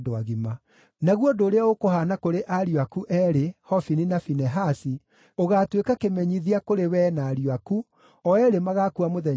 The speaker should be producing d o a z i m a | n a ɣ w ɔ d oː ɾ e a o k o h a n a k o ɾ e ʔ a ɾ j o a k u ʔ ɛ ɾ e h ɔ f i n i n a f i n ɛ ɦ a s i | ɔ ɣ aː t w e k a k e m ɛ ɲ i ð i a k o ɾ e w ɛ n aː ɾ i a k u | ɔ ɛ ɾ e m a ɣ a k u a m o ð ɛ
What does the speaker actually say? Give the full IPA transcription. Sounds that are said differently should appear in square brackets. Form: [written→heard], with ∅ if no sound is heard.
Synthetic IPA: d o a [z→ɣ] i m a | n a ɣ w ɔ d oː ɾ e a o k o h a n a k o ɾ e ʔ a ɾ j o a k u ʔ ɛ ɾ e h ɔ f i n i n a f i n ɛ ɦ a s i | [ɔ→o] ɣ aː t w e k a k e m ɛ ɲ i ð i a k o ɾ e w ɛ n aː ɾ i a k u | ɔ ɛ ɾ e m a ɣ a k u a m o ð ɛ